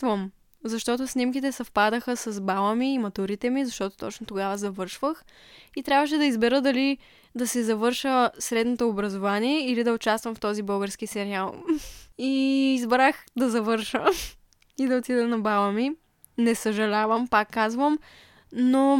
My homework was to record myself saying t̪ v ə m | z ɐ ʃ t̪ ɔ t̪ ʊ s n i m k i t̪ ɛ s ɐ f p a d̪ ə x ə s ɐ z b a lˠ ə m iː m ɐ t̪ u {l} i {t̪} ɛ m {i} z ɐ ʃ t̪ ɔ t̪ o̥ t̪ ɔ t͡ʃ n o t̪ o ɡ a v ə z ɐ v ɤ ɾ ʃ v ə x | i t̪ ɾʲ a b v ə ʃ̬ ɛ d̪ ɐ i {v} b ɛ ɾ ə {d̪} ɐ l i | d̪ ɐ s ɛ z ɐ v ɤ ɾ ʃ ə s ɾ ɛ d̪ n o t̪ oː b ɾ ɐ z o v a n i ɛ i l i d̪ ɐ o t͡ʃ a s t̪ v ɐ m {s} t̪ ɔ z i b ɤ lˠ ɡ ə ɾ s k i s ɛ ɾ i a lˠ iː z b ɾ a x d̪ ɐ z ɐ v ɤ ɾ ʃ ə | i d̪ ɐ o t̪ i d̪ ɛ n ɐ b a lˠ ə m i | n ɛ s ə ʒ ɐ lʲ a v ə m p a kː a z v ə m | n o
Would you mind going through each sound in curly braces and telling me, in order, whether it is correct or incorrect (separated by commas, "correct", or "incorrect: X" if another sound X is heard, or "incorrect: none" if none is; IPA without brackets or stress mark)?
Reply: incorrect: ɾ, correct, correct, incorrect: z, correct, incorrect: f